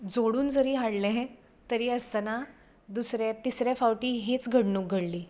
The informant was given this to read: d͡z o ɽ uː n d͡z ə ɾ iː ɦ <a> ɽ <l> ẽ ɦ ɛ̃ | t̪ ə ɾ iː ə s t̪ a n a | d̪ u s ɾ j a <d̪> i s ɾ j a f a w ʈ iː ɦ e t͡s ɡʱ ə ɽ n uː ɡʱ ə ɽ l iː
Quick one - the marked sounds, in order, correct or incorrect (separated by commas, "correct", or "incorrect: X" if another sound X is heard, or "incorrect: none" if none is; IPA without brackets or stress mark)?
correct, correct, incorrect: t̪